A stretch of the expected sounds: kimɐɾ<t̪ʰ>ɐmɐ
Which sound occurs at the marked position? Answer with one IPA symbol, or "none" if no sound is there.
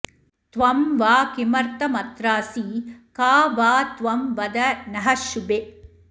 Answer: t̪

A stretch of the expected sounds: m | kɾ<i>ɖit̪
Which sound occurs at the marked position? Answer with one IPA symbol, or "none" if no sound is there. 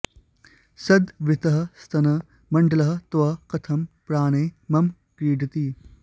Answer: iː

